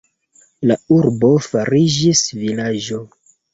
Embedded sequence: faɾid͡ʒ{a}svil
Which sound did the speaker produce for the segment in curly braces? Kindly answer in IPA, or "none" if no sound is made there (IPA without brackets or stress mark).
i